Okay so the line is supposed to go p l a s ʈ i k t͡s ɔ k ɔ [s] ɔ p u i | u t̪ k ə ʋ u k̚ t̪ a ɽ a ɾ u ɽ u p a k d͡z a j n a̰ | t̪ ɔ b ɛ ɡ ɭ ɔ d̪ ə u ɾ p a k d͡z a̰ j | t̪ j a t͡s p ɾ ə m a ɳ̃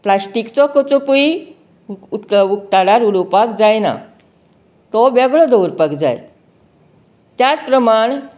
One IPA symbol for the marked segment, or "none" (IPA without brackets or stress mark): t͡s